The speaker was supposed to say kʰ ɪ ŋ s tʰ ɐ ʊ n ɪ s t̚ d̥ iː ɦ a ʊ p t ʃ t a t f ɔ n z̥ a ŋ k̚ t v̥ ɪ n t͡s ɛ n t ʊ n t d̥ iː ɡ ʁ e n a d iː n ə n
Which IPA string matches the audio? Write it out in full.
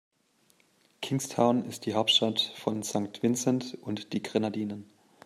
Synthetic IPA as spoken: kʰ ɪ ŋ s tʰ a ʊ n ɪ s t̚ d̥ iː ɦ a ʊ p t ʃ t a t f ɔ n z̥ a ŋ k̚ t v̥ ɪ n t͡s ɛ n t ʊ n t d̥ iː ɡ ʁ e n a d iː n ə n